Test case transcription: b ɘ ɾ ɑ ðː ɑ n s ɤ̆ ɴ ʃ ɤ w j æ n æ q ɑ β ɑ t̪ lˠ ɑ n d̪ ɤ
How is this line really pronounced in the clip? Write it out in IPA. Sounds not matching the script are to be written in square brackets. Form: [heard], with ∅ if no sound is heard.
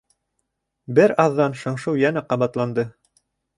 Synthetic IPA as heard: b ɘ ɾ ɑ ðː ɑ n [ʃ] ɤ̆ ɴ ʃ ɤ w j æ n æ q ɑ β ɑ t̪ lˠ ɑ n d̪ ɤ